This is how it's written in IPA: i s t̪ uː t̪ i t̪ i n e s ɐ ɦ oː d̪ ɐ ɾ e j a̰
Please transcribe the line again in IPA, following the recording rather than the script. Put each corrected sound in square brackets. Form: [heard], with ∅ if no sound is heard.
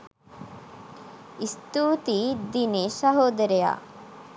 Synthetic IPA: i s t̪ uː t̪ i [d̪] i n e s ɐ ɦ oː d̪ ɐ ɾ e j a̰